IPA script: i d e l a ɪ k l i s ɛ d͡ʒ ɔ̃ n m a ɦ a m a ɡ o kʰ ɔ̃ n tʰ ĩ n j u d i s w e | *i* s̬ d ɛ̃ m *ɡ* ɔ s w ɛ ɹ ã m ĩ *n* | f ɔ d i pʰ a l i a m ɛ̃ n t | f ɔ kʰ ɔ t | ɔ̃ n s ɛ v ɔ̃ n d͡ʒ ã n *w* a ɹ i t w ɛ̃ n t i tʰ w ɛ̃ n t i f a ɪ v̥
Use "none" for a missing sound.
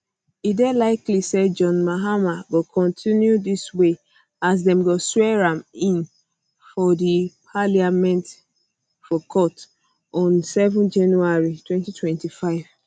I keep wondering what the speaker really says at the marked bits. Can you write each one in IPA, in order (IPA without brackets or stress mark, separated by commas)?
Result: a, ɡ, n, u